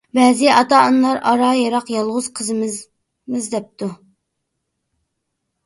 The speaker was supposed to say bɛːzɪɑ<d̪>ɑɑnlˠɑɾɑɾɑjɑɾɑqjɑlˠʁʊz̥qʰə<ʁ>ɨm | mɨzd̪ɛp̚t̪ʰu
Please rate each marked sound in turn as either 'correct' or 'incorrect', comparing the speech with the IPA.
incorrect: t̪, incorrect: z

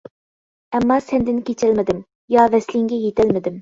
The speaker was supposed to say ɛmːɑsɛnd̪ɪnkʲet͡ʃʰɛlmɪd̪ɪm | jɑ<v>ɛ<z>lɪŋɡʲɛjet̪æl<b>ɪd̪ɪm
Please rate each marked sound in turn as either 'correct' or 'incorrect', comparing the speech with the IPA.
correct, incorrect: s, incorrect: m

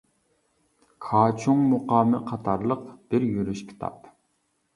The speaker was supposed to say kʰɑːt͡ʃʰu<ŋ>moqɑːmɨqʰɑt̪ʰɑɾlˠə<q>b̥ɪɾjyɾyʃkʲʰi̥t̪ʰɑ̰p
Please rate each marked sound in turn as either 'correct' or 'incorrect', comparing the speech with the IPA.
correct, correct

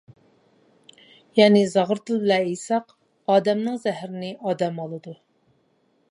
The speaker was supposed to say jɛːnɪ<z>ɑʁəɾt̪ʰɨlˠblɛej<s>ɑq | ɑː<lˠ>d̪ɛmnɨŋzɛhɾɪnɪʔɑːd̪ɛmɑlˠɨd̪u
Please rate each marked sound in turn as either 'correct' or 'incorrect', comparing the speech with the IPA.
correct, correct, incorrect: none

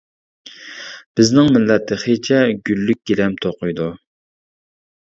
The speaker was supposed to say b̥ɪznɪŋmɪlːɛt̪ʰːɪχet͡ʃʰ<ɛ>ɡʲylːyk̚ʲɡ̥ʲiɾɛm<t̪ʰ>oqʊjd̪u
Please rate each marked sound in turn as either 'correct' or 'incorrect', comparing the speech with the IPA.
correct, correct

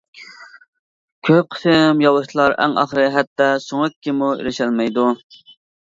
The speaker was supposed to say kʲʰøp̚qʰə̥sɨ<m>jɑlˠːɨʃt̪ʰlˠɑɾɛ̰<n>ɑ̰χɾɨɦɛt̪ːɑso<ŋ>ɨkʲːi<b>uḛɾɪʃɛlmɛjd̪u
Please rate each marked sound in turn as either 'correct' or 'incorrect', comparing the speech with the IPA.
correct, incorrect: ŋ, correct, incorrect: m

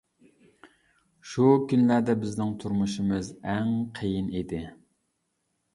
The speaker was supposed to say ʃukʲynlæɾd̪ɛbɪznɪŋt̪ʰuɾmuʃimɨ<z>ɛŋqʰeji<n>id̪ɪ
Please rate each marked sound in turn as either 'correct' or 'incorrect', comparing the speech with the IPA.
correct, correct

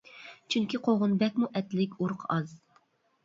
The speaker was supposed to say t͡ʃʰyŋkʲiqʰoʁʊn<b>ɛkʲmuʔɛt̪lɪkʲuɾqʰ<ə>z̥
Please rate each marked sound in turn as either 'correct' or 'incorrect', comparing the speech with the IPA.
correct, incorrect: ɑ

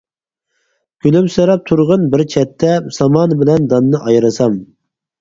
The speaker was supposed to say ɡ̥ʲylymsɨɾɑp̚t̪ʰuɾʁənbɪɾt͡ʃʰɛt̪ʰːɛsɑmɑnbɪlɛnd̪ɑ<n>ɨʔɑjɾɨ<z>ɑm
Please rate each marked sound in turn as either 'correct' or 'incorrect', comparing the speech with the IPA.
incorrect: nː, incorrect: s

